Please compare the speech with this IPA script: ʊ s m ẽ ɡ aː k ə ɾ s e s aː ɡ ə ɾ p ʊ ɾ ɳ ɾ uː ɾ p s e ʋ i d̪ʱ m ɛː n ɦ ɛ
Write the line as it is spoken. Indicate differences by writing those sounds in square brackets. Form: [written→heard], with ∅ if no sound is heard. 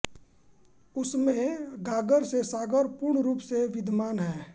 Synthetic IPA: ʊ s m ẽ ɡ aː [k→ɡ] ə ɾ s e s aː ɡ ə ɾ p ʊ ɾ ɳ ɾ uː [ɾ→∅] p s e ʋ [i→ɪ] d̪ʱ m [ɛː→aː] n ɦ [ɛ→ɛː]